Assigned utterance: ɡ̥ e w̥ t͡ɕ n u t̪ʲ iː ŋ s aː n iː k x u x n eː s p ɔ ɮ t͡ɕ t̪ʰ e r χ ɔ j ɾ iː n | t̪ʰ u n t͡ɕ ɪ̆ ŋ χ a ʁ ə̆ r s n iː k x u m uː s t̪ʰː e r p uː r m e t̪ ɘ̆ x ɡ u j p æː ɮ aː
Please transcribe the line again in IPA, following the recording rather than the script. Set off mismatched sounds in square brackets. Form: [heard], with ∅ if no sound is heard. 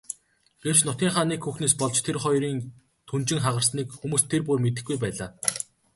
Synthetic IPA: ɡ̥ e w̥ t͡ɕ n [ʊ] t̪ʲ iː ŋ [χ] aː n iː k x u x n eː s p ɔ ɮ t͡ɕ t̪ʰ e r χ ɔ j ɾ iː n | t̪ʰ u n t͡ɕ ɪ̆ ŋ χ a ʁ ə̆ r s n iː k x u m uː s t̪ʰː e r p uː r m e t̪ ɘ̆ x ɡ u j p æː ɮ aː